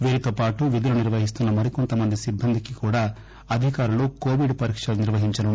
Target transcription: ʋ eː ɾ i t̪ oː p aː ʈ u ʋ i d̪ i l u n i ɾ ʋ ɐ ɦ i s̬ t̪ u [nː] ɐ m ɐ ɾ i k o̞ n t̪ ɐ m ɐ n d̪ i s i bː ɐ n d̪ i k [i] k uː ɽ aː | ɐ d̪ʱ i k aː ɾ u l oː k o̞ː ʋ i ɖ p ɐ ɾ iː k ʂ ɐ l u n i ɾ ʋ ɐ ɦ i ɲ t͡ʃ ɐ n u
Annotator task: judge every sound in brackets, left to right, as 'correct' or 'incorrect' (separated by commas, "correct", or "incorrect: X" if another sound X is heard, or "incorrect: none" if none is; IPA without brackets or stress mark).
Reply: correct, correct